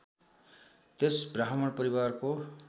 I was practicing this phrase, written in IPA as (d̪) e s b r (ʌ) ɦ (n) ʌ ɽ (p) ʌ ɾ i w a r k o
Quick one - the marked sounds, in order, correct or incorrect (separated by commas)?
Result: incorrect, incorrect, incorrect, correct